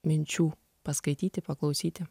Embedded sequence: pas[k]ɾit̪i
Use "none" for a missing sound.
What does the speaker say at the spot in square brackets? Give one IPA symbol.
k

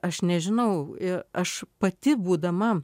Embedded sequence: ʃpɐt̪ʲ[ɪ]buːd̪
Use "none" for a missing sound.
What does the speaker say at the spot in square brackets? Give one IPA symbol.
ɪ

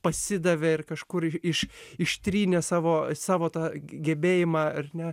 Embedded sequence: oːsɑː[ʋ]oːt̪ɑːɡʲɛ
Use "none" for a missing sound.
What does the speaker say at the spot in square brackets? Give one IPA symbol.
ʋ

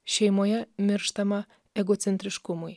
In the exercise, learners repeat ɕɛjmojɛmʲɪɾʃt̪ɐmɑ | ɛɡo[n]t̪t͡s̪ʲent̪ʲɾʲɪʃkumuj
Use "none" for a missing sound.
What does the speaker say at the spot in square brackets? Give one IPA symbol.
none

